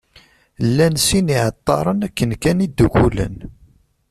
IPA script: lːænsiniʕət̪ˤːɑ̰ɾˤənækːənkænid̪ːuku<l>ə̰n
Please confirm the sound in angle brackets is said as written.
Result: yes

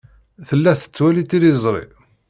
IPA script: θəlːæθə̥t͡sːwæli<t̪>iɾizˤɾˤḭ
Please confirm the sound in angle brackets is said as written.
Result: yes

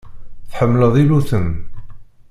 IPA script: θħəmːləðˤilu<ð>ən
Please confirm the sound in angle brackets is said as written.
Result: no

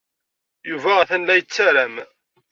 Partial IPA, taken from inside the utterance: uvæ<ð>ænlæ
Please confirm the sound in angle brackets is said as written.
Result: no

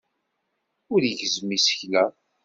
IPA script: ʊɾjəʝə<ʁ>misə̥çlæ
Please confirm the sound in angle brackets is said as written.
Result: no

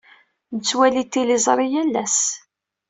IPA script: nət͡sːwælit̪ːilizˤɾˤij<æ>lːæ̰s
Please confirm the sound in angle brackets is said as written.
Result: yes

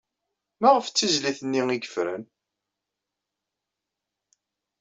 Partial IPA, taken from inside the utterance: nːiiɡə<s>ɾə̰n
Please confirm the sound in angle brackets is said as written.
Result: no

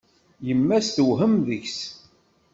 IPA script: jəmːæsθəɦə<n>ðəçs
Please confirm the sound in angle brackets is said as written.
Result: no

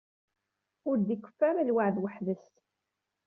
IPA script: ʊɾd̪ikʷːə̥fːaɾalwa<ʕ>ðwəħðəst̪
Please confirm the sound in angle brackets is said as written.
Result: yes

